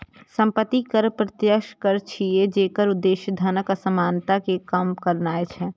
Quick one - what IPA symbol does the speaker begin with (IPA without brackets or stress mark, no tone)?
s